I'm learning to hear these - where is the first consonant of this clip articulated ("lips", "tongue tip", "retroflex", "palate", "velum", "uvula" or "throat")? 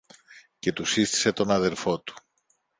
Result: palate